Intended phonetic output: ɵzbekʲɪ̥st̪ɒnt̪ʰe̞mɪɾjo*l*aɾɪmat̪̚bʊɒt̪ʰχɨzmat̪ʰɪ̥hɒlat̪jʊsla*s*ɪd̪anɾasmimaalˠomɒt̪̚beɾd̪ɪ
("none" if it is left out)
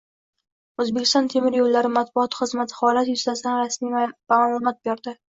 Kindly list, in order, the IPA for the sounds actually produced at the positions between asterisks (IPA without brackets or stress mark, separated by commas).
lː, s